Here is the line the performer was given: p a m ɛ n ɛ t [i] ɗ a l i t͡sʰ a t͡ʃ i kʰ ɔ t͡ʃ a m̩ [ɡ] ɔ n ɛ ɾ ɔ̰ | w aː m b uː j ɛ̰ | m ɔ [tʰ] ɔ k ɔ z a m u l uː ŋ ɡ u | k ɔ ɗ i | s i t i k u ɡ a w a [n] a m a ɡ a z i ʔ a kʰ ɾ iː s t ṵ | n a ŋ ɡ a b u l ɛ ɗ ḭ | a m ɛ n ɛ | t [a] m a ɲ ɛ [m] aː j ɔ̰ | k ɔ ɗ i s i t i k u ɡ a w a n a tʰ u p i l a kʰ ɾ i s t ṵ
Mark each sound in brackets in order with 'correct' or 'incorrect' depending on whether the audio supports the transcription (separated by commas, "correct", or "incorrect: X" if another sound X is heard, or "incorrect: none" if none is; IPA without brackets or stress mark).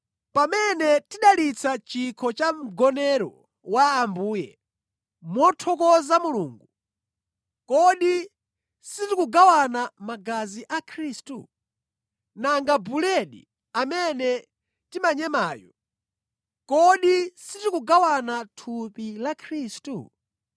correct, correct, correct, correct, incorrect: i, correct